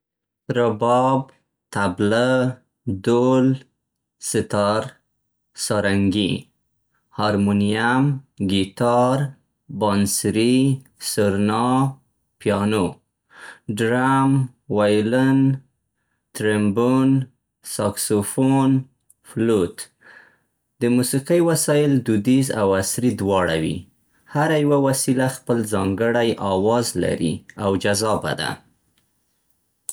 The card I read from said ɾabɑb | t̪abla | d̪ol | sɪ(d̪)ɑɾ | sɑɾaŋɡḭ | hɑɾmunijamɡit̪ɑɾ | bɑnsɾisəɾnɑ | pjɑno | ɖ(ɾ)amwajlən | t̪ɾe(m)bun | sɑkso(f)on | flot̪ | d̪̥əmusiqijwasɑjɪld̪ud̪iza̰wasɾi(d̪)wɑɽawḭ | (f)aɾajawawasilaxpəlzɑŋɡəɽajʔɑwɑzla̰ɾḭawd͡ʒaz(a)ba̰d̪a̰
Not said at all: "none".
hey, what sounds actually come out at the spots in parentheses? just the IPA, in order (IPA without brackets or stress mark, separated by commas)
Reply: t̪, ɾ, m, f, d̪, h, ɑ